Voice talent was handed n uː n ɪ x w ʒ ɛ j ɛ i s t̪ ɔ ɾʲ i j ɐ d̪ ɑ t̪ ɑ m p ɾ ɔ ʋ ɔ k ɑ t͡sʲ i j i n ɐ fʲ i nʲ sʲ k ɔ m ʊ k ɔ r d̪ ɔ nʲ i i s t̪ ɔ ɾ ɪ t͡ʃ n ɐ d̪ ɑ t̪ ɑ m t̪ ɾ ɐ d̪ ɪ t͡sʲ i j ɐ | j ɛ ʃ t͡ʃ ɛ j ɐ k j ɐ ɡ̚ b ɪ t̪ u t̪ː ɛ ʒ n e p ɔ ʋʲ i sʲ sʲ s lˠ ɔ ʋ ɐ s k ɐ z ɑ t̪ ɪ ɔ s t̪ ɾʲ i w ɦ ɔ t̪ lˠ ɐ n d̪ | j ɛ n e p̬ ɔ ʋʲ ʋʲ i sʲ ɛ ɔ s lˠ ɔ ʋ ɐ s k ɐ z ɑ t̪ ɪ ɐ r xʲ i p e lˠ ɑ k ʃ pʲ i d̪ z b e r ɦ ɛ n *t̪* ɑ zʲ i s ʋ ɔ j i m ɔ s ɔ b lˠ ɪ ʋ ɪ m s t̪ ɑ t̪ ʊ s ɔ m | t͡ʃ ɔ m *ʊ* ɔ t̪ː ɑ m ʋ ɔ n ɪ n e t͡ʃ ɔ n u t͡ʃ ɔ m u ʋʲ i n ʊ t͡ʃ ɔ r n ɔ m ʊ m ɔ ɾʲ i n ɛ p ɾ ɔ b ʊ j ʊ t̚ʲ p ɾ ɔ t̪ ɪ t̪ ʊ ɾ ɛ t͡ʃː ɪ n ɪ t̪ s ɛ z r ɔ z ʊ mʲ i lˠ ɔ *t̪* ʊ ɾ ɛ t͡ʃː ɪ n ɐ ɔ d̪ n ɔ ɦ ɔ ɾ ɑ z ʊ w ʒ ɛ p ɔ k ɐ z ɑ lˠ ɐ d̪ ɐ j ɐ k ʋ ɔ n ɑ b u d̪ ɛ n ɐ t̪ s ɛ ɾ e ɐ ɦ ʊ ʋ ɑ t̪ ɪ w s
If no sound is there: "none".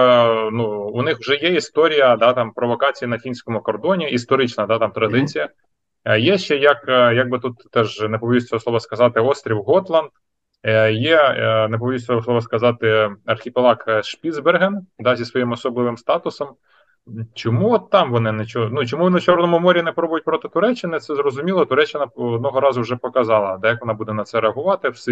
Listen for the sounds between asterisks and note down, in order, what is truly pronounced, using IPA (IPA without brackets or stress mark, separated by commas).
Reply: d̪, u, t̪